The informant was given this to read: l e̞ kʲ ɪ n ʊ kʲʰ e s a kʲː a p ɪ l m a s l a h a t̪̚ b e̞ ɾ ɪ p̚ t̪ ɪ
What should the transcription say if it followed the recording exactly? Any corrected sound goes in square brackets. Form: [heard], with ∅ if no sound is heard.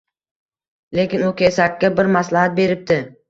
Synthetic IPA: l e̞ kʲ ɪ n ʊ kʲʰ e s a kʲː a [b] ɪ [ɾ] m a s l a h a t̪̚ b e̞ ɾ ɪ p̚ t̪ ɪ